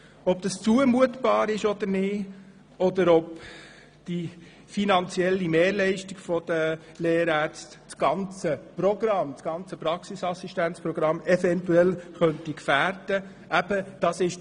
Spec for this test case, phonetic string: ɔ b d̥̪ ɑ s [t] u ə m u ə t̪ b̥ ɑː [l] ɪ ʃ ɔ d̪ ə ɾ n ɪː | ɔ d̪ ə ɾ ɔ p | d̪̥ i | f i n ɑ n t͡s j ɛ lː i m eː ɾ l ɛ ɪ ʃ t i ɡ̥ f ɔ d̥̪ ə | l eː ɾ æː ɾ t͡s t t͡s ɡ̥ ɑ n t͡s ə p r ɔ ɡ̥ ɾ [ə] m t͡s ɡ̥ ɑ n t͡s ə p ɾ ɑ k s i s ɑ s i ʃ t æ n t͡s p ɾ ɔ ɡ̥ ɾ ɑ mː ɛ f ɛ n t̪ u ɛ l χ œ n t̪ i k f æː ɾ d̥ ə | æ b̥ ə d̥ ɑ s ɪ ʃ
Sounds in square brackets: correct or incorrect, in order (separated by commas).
incorrect, incorrect, incorrect